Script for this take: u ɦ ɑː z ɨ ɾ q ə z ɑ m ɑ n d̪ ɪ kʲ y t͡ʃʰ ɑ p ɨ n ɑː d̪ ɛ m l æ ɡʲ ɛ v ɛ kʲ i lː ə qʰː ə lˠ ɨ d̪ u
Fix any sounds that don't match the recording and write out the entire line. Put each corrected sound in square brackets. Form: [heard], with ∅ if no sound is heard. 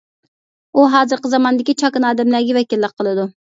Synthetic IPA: u ɦ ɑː z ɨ ɾ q ə z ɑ m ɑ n d̪ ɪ kʲ [i] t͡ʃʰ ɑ [k] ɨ n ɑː d̪ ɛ m l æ ɡʲ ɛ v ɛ kʲ i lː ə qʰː ə lˠ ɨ d̪ u